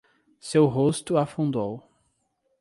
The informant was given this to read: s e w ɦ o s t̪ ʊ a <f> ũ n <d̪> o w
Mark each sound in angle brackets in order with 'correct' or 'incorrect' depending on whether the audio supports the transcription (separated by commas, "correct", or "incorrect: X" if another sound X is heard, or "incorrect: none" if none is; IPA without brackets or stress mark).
correct, correct